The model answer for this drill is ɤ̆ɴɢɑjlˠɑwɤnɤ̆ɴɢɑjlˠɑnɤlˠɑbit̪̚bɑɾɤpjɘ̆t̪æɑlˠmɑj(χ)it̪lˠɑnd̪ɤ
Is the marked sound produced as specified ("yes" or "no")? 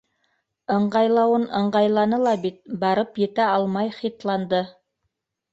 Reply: yes